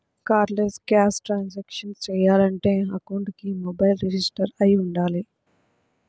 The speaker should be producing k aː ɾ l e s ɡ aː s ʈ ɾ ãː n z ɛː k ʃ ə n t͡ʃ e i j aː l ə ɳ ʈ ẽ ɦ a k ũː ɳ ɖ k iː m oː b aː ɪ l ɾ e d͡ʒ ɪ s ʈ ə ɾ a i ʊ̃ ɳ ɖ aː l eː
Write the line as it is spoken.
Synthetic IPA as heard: k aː ɾ l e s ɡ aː s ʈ ɾ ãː n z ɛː k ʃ ə n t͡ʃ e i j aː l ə ɳ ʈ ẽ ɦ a k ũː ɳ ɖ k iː m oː b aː ɪ l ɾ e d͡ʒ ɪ s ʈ ə ɾ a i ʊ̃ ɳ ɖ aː l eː